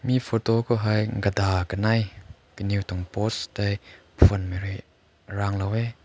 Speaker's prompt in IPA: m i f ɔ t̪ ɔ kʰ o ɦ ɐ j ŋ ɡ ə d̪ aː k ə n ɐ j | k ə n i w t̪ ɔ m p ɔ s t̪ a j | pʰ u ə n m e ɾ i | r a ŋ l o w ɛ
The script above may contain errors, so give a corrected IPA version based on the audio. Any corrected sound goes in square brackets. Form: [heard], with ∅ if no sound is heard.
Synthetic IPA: m i f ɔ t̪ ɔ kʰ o ɦ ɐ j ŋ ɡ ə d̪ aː k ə n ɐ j | k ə n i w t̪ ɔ [ŋ] p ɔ s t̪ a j | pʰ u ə n m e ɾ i | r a ŋ l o w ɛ